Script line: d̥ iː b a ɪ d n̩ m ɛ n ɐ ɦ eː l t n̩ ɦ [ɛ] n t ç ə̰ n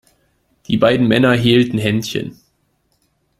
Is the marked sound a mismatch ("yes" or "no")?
no